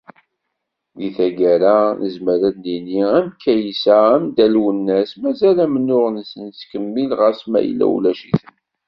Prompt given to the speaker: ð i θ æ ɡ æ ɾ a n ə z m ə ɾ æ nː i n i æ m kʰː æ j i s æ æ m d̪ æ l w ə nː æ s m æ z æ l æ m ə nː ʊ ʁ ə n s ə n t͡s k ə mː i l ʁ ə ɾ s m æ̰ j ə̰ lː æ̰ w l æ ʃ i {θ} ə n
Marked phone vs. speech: correct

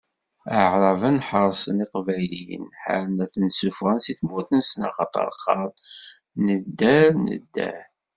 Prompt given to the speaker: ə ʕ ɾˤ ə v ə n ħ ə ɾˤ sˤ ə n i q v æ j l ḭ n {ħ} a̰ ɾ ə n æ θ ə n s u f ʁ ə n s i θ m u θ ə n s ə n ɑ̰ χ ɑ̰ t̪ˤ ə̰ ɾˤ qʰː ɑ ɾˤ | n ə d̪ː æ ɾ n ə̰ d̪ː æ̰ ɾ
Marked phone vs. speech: correct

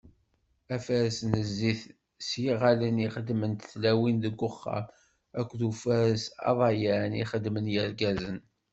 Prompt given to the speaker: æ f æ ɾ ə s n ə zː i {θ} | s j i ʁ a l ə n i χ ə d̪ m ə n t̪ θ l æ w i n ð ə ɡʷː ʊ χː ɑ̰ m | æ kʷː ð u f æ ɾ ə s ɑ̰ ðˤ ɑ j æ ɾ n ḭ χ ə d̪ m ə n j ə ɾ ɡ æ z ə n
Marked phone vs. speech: correct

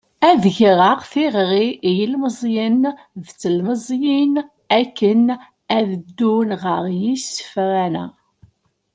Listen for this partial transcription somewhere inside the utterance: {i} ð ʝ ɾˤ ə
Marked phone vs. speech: incorrect: æ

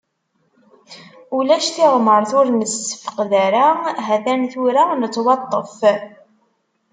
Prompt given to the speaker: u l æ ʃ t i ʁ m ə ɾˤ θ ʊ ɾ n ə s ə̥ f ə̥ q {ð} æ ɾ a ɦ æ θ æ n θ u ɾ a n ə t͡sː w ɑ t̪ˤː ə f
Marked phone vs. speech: correct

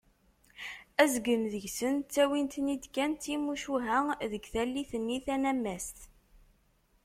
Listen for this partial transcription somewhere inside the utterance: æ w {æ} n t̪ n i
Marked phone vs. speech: incorrect: i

